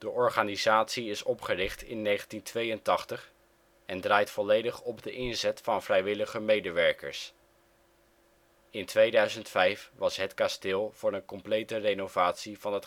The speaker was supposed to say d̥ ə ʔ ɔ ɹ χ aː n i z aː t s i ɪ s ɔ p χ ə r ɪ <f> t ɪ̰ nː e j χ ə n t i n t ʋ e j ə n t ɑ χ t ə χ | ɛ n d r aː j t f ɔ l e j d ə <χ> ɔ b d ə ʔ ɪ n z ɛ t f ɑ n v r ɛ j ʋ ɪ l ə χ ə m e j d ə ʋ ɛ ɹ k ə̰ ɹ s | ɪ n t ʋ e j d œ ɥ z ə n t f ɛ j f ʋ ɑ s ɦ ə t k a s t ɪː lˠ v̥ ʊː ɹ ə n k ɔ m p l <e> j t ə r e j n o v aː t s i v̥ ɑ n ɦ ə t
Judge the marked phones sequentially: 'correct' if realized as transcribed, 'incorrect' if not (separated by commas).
incorrect, correct, correct